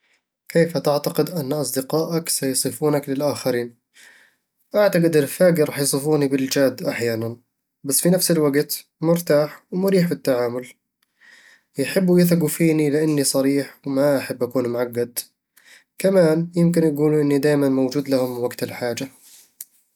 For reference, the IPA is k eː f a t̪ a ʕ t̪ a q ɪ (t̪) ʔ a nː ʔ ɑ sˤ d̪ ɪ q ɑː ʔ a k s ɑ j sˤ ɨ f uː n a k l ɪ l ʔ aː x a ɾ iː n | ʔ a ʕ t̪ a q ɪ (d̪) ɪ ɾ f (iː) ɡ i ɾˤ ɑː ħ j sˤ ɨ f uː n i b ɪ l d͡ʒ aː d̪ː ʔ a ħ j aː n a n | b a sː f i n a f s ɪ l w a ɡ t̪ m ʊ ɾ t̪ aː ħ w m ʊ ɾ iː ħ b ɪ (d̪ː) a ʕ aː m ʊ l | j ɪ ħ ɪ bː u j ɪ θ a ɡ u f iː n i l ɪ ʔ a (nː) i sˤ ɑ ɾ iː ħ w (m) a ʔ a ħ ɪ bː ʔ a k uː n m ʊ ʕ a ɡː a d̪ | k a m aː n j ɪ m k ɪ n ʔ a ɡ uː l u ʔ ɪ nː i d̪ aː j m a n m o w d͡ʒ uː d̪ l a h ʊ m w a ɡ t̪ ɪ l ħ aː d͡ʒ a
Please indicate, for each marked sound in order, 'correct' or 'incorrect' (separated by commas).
incorrect, correct, incorrect, incorrect, correct, correct